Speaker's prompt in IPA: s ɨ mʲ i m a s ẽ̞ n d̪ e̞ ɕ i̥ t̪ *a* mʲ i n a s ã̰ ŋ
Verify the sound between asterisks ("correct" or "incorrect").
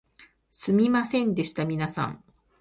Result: correct